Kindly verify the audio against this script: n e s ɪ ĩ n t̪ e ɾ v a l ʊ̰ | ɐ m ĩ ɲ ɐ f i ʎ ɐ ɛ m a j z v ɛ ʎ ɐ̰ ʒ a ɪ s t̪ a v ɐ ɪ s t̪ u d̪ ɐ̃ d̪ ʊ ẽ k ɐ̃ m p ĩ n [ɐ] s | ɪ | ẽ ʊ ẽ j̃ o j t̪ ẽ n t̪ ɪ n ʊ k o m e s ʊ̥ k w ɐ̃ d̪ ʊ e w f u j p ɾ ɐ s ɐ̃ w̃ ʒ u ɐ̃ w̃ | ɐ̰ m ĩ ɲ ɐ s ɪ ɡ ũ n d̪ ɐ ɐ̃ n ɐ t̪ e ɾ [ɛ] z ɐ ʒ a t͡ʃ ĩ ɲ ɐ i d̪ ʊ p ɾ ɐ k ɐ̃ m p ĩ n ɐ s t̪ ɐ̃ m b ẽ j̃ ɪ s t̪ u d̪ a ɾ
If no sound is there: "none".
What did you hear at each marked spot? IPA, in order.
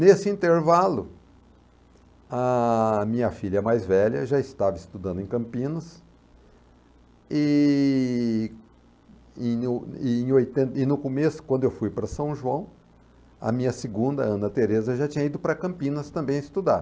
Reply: ɐ, e

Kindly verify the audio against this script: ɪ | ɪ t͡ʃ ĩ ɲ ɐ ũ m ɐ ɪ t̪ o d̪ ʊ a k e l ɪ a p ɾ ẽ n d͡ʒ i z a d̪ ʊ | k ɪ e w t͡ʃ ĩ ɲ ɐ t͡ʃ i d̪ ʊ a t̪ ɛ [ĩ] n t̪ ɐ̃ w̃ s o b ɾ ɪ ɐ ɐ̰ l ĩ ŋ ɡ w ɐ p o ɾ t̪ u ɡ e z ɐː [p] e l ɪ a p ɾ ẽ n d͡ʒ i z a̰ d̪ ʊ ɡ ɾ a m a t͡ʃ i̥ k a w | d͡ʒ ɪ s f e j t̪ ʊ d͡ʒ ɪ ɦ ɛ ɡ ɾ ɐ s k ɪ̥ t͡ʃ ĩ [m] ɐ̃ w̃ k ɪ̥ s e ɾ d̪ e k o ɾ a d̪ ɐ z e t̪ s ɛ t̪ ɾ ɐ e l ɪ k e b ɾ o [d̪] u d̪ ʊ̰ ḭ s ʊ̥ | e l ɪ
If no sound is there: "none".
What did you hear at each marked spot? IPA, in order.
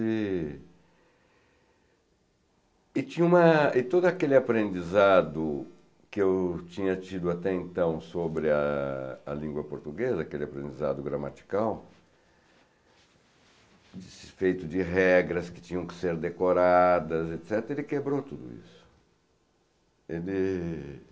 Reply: ẽ, k, ɲ, t̪

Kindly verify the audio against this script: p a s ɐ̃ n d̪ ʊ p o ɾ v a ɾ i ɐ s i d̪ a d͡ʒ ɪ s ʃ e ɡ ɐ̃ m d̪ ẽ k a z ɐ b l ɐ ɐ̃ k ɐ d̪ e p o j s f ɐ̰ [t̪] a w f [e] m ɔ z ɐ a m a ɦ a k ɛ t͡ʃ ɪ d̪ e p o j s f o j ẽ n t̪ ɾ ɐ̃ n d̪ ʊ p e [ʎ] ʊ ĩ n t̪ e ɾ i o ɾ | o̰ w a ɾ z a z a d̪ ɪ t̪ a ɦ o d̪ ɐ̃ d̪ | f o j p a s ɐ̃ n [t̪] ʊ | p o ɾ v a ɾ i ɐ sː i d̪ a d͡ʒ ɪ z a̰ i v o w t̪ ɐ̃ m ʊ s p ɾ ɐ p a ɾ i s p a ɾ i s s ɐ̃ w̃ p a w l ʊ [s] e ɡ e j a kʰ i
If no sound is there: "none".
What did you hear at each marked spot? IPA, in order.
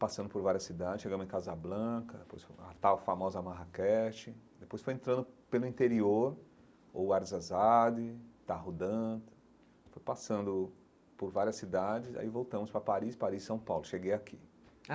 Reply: t̪, a, l, d̪, ʃ

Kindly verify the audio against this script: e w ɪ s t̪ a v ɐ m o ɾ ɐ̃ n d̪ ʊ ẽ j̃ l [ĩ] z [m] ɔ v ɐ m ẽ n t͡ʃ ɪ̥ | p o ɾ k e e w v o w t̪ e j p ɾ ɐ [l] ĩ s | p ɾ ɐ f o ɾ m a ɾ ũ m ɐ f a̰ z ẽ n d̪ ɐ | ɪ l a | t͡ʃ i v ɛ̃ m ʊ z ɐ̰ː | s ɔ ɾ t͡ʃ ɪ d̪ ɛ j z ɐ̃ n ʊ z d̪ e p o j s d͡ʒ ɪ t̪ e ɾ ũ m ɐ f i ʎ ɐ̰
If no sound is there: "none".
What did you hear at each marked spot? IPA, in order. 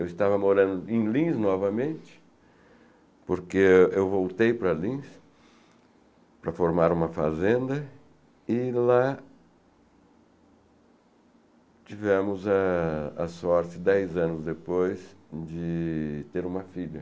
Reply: ĩ, n, l

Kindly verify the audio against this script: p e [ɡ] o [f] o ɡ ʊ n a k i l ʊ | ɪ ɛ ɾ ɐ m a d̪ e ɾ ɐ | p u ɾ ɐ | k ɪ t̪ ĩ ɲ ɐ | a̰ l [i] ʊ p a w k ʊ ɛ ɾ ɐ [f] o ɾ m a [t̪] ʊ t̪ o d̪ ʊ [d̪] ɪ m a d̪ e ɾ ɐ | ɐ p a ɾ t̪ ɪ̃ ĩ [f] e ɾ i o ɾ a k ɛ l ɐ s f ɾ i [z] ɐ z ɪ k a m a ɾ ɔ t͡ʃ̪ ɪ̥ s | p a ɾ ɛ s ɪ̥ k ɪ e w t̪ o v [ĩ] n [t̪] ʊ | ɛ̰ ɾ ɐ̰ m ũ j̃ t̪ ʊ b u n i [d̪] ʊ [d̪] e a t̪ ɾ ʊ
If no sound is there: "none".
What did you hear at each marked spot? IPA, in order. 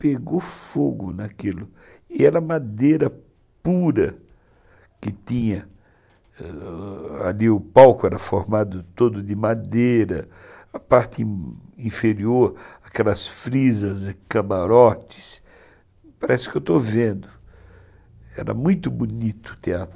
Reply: ɡ, f, i, f, d̪, d̪, f, z, ẽ, d̪, t̪, t̪

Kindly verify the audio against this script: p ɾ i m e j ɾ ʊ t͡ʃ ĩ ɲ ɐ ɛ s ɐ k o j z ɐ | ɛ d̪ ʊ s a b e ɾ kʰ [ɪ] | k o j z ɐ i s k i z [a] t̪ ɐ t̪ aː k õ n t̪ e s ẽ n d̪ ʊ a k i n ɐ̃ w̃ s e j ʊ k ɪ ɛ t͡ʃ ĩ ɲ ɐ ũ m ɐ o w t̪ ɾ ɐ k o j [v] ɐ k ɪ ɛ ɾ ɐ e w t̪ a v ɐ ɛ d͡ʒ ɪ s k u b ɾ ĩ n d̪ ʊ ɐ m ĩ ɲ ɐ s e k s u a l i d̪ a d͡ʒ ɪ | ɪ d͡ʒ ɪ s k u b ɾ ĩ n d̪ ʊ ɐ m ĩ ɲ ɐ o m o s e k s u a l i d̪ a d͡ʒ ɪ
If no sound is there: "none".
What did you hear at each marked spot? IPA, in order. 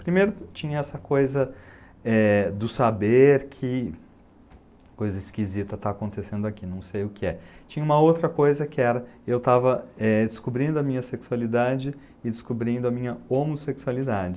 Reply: ɪ, i, z

